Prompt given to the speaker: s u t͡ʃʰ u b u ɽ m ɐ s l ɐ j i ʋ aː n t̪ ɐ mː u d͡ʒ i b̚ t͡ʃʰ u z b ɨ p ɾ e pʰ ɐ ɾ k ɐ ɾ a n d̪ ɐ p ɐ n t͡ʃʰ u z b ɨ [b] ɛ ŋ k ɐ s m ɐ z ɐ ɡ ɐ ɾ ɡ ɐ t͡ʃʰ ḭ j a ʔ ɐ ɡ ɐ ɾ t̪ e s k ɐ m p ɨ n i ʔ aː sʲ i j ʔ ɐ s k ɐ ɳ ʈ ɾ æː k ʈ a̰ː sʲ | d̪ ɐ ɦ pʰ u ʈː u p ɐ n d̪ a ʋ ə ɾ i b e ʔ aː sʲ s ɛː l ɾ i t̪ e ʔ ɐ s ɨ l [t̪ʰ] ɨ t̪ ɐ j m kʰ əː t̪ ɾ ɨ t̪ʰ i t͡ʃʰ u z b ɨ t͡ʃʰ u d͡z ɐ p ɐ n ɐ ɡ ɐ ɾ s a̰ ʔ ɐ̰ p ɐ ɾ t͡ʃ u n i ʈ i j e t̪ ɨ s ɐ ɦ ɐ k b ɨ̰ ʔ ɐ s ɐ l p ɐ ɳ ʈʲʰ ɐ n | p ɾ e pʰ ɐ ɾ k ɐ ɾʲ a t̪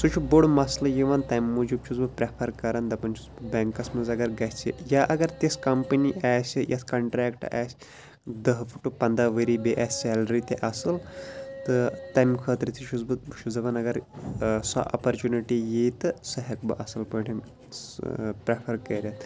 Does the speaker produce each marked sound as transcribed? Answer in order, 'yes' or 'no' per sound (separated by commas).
yes, no